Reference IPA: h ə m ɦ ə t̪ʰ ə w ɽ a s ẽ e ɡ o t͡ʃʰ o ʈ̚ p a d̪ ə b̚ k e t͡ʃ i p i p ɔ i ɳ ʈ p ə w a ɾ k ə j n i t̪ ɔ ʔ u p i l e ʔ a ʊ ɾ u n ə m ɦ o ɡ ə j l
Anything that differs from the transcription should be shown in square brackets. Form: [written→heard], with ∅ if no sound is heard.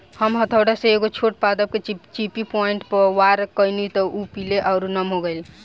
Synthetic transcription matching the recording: h ə m ɦ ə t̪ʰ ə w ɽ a s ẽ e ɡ o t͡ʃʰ o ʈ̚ p a d̪ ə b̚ k e t͡ʃ i p i p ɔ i ɳ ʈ p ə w a ɾ k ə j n i t̪ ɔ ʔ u p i l e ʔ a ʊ ɾ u n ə m ɦ o ɡ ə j l

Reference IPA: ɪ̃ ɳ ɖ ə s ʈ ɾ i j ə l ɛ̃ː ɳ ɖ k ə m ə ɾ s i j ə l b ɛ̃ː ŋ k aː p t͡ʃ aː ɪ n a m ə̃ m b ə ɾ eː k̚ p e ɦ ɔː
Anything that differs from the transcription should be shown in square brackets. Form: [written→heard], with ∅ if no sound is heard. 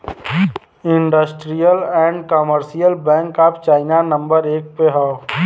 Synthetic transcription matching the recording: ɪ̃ ɳ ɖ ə s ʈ ɾ i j ə l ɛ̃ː ɳ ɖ k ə m ə ɾ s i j ə l b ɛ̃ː ŋ k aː p t͡ʃ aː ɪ n a [m→n] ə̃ m b ə ɾ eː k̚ p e ɦ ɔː

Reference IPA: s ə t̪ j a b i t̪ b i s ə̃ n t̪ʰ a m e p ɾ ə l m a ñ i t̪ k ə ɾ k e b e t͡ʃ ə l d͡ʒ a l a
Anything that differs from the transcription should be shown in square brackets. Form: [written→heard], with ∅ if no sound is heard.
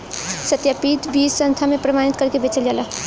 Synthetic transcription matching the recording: s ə t̪ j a [b→p] i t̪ b i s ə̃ n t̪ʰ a m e p ɾ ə [l→∅] m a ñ i t̪ k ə ɾ k e b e t͡ʃ ə l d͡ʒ a l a

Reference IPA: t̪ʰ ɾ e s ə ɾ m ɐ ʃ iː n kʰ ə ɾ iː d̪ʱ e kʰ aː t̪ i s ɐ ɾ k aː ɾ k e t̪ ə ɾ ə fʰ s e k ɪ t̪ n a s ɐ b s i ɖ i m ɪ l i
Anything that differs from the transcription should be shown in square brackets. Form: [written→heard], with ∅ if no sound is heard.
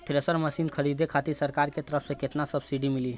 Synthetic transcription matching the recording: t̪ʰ ɾ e s ə ɾ m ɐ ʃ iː n kʰ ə ɾ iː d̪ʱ e kʰ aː t̪ i s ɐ ɾ k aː ɾ k e t̪ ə ɾ ə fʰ s e k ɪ t̪ n a s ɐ b s i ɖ i m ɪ l i

